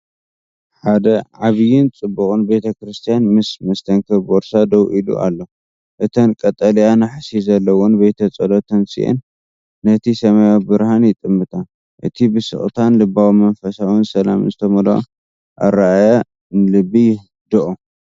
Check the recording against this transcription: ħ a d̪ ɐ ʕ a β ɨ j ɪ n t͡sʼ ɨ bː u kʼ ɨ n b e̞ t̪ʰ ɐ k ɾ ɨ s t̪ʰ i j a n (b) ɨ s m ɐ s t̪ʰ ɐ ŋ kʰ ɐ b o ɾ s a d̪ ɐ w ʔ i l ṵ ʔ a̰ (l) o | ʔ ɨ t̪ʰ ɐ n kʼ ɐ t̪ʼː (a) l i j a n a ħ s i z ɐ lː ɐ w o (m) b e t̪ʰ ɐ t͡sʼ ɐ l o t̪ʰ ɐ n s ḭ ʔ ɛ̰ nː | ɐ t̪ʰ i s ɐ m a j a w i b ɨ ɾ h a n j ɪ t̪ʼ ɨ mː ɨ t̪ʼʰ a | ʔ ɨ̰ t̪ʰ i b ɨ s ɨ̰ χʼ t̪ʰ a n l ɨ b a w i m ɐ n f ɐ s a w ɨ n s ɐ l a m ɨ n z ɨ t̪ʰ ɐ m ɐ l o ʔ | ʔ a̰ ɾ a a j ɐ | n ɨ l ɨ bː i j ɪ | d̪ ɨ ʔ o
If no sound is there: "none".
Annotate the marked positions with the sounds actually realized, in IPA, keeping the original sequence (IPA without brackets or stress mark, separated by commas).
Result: m, lː, ɐ, n